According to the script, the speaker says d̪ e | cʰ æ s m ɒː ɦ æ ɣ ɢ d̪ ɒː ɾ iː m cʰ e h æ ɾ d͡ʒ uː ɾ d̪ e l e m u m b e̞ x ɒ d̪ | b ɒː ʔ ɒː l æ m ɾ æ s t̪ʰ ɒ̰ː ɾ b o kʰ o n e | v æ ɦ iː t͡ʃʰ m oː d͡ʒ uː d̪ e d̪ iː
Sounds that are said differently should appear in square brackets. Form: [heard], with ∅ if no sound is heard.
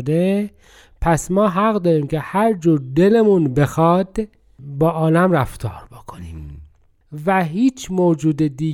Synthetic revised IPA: d̪ e | [pʰ] æ s m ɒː ɦ æ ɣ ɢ d̪ ɒː ɾ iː m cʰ e h æ ɾ d͡ʒ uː ɾ d̪ e l e m u [n] b e̞ x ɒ d̪ | b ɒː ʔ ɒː l æ m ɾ æ [f] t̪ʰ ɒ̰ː ɾ b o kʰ o n [i] | v æ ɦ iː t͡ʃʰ m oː d͡ʒ uː d̪ e d̪ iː